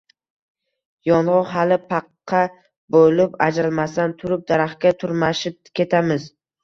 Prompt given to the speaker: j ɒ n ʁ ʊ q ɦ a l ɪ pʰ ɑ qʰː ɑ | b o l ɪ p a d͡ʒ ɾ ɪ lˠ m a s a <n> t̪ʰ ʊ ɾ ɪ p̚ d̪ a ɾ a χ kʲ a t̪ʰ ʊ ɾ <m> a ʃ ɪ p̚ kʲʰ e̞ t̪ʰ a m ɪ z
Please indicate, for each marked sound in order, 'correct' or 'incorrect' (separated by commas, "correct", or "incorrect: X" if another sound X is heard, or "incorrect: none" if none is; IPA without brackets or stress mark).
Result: correct, correct